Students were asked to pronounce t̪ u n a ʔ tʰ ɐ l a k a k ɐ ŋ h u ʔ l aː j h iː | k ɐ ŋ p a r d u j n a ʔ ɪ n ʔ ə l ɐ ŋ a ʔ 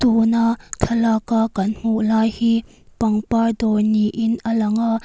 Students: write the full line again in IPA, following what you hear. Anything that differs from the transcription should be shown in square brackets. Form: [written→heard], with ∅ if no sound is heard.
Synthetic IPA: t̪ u n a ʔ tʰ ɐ l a k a k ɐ [ŋ→n] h u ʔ l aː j h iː | [k→p] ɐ ŋ p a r d [u→ɔ] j n [a→i] ʔ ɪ n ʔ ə l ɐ ŋ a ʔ